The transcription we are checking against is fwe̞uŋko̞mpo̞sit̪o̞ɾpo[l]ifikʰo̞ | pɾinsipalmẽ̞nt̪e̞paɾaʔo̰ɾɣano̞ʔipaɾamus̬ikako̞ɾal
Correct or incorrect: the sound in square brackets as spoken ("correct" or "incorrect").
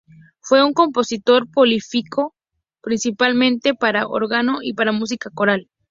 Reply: correct